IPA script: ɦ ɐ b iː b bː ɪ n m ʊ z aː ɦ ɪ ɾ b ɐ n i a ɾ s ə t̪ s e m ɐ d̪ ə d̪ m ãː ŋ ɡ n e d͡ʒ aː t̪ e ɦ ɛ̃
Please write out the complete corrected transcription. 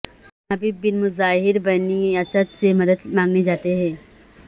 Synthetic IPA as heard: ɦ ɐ b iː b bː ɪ n m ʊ z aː ɦ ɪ ɾ b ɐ n i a s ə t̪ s e m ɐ d̪ ə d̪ m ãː ŋ ɡ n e d͡ʒ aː t̪ e ɦ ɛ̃